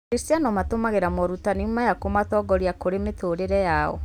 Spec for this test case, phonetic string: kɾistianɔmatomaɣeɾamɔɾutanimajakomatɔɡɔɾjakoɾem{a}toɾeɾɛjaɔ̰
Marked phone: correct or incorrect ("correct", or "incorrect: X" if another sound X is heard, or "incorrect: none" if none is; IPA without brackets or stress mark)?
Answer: incorrect: e